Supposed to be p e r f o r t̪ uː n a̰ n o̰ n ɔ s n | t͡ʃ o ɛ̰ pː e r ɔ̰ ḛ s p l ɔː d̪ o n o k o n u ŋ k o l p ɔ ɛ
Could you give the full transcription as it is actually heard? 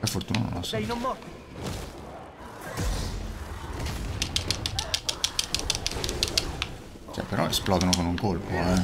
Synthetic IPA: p e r f o r t̪ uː n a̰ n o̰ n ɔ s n | t͡ʃ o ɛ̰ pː e ɾ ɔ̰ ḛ s p l ɔː d̪ o n o k o n u ŋ k o l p o ɛ